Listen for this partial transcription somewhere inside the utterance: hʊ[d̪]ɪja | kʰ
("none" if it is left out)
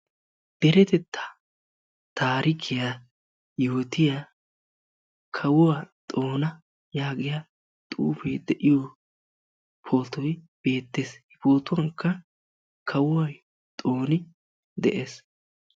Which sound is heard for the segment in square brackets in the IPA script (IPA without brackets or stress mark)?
t̪